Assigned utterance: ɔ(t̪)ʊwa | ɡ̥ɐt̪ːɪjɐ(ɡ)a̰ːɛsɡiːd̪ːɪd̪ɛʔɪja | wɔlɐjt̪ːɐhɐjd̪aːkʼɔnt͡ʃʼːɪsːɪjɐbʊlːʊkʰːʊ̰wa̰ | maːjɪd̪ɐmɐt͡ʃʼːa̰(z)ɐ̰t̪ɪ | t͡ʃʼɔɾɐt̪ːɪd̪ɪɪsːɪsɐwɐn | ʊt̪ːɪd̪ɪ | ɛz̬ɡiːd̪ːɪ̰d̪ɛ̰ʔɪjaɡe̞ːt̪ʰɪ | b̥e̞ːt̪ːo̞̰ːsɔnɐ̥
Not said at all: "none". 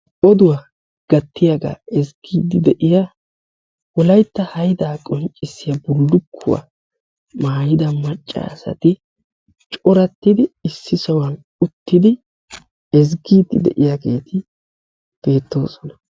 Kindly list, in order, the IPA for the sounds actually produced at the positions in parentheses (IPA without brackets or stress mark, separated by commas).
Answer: d̪, ɡ, s